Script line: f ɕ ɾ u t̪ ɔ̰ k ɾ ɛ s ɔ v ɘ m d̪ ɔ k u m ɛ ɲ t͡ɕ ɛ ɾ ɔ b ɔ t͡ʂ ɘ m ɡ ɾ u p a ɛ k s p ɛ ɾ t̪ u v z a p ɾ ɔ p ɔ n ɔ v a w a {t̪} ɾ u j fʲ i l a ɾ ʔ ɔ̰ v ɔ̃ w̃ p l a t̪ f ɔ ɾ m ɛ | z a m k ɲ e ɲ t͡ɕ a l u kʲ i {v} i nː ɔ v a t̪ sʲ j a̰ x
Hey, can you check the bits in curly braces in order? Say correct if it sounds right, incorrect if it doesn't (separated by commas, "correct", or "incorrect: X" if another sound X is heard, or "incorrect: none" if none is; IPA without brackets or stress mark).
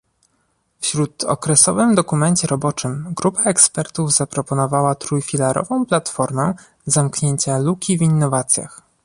correct, correct